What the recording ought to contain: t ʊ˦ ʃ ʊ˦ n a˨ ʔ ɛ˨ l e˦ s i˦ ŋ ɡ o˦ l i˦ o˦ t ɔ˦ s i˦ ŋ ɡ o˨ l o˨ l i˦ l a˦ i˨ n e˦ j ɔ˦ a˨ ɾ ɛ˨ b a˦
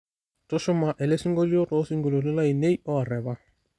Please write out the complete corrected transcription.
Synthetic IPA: t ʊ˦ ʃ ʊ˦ m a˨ ʔ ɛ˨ l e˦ s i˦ ŋ ɡ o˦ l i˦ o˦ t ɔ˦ s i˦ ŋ ɡ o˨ l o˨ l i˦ l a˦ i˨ n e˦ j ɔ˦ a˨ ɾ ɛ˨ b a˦